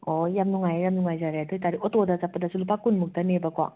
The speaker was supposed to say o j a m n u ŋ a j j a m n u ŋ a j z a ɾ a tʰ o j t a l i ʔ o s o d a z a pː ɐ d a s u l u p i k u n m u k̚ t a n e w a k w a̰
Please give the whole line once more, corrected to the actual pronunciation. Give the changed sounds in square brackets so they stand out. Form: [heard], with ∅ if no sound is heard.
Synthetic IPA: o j a m n u ŋ a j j a m n u ŋ a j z a ɾ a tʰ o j t a [ɾ] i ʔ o [t] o d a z a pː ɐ d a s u l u p [a] k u n m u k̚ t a n e [b] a k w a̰